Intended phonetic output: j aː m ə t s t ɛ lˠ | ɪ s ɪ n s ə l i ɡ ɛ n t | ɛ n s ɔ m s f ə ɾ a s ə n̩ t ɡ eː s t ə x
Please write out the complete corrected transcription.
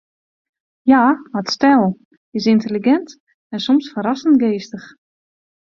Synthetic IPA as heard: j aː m ə t s t ɛ lˠ | ɪ s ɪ n t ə l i ɡ ɛ n t | ɛ n s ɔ m s f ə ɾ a s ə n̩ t ɡ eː s t ə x

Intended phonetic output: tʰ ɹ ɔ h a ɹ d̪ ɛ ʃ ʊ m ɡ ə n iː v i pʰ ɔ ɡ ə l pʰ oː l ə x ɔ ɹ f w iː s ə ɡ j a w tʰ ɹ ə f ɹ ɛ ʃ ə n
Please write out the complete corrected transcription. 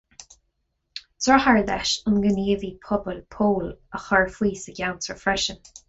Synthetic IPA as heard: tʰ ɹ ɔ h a ɹ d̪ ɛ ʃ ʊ n ɡ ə n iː v i pʰ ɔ b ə l pʰ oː l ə x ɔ ɹ f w iː s ə ɡ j a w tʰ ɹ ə f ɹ ɛ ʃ ə n

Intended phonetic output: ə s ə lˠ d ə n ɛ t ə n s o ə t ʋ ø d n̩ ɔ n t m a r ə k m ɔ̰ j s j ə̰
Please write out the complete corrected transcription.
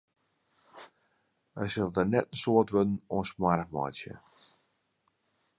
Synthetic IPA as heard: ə s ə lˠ d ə n ɛ t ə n s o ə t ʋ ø d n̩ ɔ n s m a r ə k m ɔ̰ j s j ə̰

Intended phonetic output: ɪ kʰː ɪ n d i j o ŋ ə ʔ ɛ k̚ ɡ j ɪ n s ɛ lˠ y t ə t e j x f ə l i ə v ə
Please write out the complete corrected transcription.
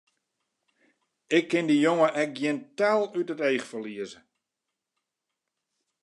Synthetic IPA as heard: ɪ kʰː ɪ n d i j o ŋ ə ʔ ɛ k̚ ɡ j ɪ n t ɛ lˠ y t ə t e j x f ə l i ə z ə

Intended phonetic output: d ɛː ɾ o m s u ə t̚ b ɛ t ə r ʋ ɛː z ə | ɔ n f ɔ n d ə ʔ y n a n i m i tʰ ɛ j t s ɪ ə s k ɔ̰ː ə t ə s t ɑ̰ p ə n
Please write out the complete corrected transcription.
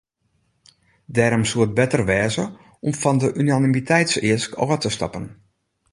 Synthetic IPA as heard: d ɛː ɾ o m s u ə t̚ b ɛ t ə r ʋ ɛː z ə | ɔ m f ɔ n d ə ʔ y n a n i m i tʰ ɛ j t s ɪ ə s k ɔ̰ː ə t ə s t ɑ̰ p ə n

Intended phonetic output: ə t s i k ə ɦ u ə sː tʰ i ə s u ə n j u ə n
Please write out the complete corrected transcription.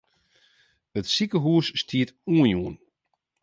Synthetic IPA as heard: ə t s i k ə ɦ u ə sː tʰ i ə t u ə n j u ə n

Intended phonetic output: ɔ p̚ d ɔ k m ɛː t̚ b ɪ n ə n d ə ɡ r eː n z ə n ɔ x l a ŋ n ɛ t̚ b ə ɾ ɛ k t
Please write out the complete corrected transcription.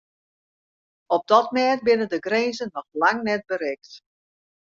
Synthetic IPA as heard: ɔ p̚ d ɔ t m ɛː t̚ b ɪ n ə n d ə ɡ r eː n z ə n ɔ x l a ŋ n ɛ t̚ b ə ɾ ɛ k t

